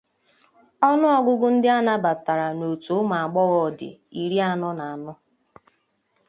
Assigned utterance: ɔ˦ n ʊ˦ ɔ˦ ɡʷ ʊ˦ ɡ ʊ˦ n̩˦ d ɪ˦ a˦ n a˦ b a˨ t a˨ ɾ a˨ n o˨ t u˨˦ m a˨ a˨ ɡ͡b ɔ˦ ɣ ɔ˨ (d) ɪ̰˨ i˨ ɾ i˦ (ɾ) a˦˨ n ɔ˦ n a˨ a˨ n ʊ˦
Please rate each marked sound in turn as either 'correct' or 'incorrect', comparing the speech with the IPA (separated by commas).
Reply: correct, incorrect